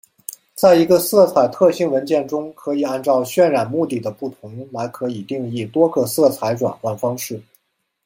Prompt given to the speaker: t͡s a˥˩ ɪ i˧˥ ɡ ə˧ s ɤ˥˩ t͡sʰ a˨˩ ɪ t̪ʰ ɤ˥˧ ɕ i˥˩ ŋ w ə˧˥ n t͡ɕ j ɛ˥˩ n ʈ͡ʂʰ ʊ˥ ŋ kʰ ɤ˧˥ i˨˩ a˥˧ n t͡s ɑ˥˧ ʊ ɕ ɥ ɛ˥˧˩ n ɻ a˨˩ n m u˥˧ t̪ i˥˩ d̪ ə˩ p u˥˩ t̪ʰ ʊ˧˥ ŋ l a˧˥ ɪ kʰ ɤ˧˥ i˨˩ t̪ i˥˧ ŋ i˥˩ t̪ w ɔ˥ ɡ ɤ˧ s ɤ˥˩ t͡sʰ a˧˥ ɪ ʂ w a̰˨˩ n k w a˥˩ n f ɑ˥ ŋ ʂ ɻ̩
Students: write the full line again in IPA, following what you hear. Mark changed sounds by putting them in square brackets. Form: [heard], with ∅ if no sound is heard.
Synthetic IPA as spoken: t͡s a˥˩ ɪ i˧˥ ɡ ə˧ s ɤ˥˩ t͡sʰ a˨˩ ɪ t̪ʰ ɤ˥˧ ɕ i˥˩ ŋ w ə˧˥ n t͡ɕ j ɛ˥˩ n [ʈ͡ʂ] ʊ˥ ŋ kʰ ɤ˧˥ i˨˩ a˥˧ n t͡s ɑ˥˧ ʊ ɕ ɥ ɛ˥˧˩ n ɻ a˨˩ n m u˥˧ t̪ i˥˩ d̪ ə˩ p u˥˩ t̪ʰ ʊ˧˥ ŋ l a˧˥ ɪ kʰ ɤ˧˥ i˨˩ t̪ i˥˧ ŋ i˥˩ t̪ w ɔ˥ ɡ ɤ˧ s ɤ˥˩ t͡sʰ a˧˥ ɪ [ʈ͡ʂ] w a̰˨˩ n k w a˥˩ n f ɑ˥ ŋ ʂ ɻ̩